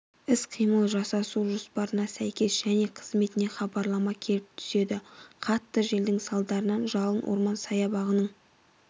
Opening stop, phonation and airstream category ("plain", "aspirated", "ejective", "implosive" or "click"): aspirated